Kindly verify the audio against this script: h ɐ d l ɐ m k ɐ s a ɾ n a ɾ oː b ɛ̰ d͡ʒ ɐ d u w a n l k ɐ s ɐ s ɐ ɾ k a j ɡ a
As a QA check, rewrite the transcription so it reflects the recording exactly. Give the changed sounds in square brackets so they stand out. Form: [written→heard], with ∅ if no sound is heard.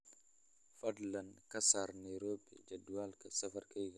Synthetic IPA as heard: [h→f] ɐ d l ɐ [m→n] k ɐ s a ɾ n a ɾ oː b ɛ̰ d͡ʒ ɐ d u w a [n→∅] l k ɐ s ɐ [s→f] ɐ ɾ k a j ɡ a